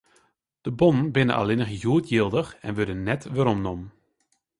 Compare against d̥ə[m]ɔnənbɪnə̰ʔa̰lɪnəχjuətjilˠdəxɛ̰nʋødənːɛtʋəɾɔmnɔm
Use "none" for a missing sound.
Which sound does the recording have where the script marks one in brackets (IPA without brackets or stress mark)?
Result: b